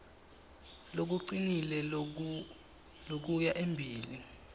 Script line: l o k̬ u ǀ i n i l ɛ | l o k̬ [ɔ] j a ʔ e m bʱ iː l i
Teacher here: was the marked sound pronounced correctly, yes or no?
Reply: no